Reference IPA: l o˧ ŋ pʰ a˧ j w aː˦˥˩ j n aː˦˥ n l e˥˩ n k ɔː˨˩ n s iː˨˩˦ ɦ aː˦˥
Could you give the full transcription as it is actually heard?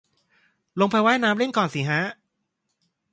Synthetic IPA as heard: l o˧ ŋ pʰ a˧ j w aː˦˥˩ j n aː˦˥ m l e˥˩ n k ɔː˨˩ n s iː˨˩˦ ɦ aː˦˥